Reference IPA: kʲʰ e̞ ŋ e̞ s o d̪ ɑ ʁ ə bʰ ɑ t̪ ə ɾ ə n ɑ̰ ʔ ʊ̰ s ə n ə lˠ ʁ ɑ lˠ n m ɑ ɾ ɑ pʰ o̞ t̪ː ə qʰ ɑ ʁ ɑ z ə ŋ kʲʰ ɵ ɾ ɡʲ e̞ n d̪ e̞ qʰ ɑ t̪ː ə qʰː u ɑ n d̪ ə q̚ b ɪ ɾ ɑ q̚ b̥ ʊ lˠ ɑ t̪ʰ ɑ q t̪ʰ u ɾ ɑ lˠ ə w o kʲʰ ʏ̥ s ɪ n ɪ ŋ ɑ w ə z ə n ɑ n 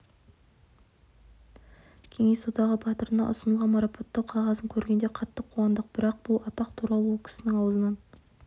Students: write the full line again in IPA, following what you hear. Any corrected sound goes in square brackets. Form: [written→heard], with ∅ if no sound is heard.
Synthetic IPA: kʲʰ e̞ ŋ e̞ s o d̪ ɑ ʁ ə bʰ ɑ t̪ ə ɾ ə n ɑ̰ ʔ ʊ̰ s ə n ə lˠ ʁ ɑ [lˠ→∅] n m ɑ ɾ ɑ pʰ o̞ t̪ː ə qʰ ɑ ʁ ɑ z ə ŋ kʲʰ ɵ ɾ ɡʲ e̞ n d̪ e̞ qʰ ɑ t̪ː ə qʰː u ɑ n d̪ ə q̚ b ɪ ɾ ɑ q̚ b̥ ʊ lˠ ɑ [t̪ʰ→t̪] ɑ q t̪ʰ u ɾ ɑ lˠ ə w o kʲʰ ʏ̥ s ɪ n ɪ ŋ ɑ w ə z ə n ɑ n